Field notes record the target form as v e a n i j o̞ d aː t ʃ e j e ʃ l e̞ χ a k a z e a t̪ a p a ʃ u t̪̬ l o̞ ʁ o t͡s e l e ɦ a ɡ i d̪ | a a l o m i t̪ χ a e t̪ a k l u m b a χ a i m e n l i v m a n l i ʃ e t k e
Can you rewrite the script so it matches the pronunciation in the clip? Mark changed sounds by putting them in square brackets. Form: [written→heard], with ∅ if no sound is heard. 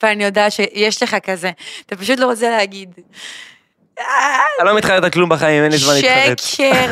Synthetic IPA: v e a n i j o̞ d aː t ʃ e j e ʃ l e̞ χ a k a z e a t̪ a p a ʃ u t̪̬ l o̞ ʁ o t͡s e l e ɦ a ɡ i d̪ | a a l o m i t̪ χ a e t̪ a k l u m b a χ a i m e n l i [v→z] m a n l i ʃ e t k e